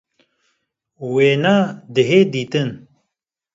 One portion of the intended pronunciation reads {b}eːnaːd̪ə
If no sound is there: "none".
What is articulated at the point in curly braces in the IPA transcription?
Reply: w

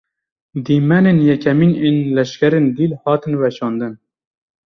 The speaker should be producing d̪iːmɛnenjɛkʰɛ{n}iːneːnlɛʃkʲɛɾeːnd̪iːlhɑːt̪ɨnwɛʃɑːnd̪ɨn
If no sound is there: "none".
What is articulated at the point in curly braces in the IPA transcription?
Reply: m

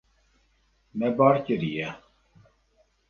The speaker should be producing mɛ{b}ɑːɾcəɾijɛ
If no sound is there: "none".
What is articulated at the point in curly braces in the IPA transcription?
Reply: b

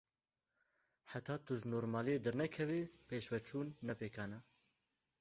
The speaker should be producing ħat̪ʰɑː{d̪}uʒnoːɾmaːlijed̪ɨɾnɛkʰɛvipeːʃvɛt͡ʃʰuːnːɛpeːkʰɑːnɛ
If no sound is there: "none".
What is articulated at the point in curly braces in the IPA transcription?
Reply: t̪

